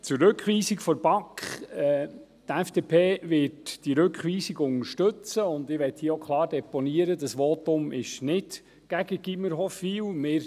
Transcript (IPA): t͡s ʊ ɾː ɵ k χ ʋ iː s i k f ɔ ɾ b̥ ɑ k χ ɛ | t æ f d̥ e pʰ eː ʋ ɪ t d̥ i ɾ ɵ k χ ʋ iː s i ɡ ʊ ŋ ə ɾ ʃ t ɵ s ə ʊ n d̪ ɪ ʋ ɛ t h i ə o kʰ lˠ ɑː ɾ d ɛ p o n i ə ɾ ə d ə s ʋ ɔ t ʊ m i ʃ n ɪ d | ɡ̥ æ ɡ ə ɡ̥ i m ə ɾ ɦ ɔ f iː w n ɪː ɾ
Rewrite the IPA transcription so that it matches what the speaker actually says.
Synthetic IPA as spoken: t͡s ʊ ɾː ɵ k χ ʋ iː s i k f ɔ ɾ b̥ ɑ k χ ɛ | t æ f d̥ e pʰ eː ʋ ɪ t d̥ i ɾ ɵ k χ ʋ iː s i ɡ ʊ ŋ ə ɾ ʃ t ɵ t͡s ə ʊ n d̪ ɪ ʋ ɛ t h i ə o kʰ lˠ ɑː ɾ d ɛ p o n i ə ɾ ə d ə s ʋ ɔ t ʊ m ɪ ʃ n ɪ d | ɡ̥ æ ɡ ə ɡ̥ i m ə ɾ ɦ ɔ f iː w m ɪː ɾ

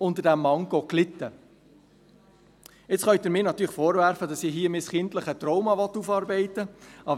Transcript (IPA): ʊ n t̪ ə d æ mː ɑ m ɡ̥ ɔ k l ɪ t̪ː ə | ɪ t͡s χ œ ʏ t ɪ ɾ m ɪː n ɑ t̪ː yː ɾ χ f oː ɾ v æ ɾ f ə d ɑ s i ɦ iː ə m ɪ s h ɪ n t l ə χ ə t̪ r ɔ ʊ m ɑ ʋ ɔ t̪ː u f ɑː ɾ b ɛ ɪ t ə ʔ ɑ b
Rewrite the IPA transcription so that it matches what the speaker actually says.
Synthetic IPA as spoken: ʊ n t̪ ə d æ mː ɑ ŋ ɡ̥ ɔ k l ɪ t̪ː ə | ɪ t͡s χ œ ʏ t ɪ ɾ m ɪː n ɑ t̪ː yː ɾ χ f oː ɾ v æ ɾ f ə d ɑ s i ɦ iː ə m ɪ s χ ɪ n t l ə χ ə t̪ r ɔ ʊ m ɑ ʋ ɔ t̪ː u f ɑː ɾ b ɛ ɪ t ə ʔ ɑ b

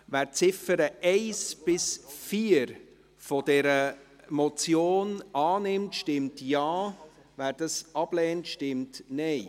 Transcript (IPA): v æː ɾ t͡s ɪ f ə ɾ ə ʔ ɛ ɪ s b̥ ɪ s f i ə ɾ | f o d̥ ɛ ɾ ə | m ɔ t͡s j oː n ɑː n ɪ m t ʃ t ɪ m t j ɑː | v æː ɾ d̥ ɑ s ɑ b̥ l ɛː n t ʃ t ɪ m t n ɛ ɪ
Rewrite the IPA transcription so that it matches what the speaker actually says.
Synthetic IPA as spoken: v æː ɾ t͡s ɪ f ə ɾ ə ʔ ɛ ɪ s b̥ ɪ s f i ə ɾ | f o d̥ ɛ ɾ ə | m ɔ t͡s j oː n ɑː n ɪ m t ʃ t ɪ m t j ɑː | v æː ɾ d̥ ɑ s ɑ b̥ l ɛː n t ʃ t ɪ m t n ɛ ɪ

